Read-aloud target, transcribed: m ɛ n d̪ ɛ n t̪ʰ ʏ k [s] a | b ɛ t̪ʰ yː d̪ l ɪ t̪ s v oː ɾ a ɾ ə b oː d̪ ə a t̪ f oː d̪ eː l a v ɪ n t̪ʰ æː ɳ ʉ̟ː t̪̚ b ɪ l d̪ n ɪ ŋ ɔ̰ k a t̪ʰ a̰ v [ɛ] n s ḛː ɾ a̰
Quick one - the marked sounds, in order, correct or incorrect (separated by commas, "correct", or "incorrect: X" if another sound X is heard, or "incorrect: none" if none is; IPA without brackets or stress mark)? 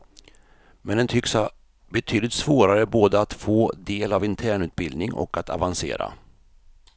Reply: correct, incorrect: a